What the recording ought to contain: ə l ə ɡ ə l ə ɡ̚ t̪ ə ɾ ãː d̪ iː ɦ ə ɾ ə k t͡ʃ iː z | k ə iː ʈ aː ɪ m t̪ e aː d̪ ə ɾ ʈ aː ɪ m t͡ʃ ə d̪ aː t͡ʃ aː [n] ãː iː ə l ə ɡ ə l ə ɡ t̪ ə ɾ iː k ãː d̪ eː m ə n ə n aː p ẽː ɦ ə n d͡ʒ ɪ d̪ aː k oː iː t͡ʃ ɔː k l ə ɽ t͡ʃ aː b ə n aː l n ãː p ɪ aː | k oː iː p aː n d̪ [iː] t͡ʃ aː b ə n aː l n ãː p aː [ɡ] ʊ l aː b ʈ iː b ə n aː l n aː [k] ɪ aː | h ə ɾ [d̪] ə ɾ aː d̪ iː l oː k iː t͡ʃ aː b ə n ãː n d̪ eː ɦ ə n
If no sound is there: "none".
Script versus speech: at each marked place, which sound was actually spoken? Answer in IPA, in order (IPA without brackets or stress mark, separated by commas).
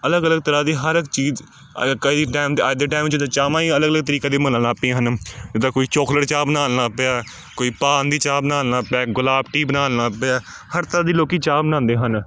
m, iː, ɡ, p, t̪